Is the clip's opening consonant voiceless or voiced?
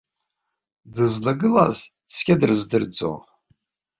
voiced